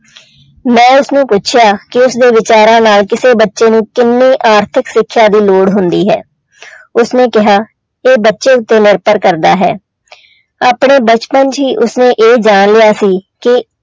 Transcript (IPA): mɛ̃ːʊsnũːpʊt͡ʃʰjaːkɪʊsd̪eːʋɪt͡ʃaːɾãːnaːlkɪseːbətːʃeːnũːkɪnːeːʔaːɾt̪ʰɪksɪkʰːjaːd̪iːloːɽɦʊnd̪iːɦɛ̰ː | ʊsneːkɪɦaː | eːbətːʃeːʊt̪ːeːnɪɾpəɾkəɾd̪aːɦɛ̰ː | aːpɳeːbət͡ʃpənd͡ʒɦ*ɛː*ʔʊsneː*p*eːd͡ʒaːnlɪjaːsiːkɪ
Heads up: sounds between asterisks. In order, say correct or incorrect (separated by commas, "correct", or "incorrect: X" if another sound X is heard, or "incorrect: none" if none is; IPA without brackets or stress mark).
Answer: incorrect: iː, incorrect: ʔ